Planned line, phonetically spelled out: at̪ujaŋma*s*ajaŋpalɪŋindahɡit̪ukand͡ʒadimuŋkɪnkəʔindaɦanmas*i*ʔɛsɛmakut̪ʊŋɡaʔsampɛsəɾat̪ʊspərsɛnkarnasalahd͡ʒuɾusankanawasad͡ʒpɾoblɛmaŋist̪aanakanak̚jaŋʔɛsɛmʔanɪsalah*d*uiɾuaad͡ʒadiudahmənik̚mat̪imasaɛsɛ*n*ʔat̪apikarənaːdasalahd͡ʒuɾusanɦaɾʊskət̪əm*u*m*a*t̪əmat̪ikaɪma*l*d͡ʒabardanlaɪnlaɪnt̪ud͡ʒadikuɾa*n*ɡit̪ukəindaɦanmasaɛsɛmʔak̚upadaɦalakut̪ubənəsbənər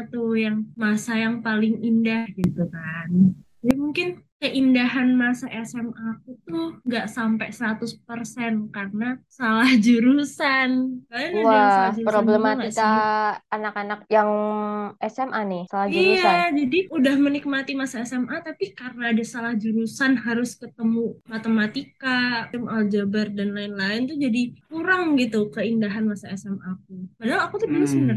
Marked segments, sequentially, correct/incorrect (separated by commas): correct, incorrect, incorrect, incorrect, correct, correct, correct, incorrect